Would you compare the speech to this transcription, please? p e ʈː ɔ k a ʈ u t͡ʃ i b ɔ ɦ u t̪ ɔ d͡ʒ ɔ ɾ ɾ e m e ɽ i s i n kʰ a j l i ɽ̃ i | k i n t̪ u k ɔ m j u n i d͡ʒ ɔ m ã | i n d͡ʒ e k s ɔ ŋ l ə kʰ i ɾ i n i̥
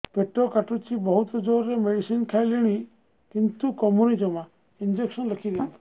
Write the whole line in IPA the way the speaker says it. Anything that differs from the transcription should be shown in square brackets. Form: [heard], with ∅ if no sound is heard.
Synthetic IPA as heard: p e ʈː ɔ k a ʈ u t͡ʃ i b ɔ ɦ u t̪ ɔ d͡ʒ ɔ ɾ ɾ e m e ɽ i s i n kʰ a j l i ɽ̃ i | k i n t̪ u k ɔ m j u n i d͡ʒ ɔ m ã | i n d͡ʒ e k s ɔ [n] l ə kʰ i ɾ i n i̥